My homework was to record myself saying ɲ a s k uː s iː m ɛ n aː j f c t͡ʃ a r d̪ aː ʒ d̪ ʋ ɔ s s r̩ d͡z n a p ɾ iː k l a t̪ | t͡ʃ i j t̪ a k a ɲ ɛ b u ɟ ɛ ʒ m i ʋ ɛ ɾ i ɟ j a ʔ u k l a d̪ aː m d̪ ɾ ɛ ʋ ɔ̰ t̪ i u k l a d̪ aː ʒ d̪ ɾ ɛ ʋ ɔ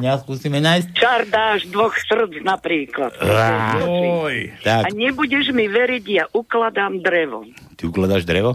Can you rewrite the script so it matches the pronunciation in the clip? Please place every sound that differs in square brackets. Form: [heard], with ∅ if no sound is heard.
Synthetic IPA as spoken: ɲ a s k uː s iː m ɛ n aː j [s] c t͡ʃ a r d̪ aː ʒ d̪ ʋ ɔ [x] s r̩ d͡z n a p ɾ iː k l a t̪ | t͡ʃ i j t̪ a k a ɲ ɛ b u ɟ ɛ ʒ m i ʋ ɛ ɾ i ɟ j a ʔ u k l a d̪ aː m d̪ ɾ ɛ ʋ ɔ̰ t̪ i u k l a d̪ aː ʒ d̪ ɾ ɛ ʋ ɔ